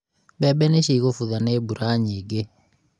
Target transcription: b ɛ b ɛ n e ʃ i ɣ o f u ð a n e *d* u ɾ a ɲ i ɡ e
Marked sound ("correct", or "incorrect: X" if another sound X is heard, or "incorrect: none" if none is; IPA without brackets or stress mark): incorrect: b